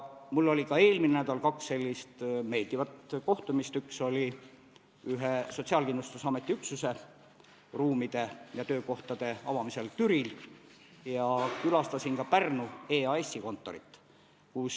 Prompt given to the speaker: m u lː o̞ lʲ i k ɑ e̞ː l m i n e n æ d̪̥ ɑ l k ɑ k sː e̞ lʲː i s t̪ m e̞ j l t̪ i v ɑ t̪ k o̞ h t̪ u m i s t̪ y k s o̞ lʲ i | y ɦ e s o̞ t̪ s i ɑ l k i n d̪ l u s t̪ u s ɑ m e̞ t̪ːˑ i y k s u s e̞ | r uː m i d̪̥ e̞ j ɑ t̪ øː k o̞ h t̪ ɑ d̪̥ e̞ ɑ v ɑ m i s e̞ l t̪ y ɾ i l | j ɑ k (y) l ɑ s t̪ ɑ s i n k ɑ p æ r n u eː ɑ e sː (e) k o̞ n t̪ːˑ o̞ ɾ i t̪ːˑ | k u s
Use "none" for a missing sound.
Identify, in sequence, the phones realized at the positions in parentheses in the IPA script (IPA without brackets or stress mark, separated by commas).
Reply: y, i